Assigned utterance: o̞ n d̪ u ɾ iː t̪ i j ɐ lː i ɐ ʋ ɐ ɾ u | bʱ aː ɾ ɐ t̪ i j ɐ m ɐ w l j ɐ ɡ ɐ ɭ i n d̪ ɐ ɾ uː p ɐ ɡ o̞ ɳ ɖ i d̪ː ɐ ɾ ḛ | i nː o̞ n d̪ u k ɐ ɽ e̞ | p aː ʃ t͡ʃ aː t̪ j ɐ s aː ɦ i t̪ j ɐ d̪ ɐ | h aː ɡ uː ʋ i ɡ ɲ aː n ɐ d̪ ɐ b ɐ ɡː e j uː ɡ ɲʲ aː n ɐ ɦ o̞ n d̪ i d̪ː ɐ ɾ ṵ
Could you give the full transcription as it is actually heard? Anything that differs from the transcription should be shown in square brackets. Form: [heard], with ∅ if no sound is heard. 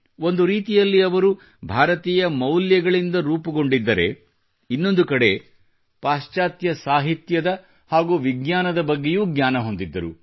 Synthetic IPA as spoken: o̞ n d̪ u ɾ iː t̪ i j ɐ lː i ɐ ʋ ɐ ɾ u | bʱ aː ɾ ɐ t̪ [iː] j ɐ m ɐ w l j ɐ ɡ ɐ ɭ i n d̪ ɐ ɾ uː p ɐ ɡ o̞ ɳ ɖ i d̪ː ɐ ɾ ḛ | i nː o̞ n d̪ u k ɐ ɽ e̞ | p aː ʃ t͡ʃ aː t̪ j ɐ s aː ɦ i t̪ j ɐ d̪ ɐ | h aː ɡ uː ʋ i ɡ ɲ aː n ɐ d̪ ɐ b ɐ ɡː e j uː ɡ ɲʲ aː n ɐ ɦ o̞ n d̪ i d̪ː ɐ ɾ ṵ